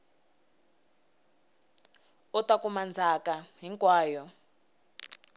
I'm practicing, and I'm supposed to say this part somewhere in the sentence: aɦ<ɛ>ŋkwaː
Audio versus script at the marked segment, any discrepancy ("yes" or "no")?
yes